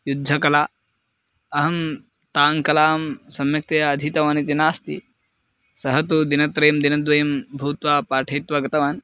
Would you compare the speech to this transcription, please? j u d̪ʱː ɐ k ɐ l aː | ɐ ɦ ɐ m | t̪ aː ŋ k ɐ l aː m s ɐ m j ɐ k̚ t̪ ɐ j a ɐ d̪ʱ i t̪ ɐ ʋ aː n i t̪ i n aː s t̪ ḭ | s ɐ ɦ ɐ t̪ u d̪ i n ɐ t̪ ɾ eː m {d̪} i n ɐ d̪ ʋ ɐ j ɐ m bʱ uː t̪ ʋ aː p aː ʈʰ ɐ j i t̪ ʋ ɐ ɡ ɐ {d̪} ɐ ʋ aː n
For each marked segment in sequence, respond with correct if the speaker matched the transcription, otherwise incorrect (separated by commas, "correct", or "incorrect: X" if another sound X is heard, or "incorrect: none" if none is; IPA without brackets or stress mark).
correct, incorrect: t̪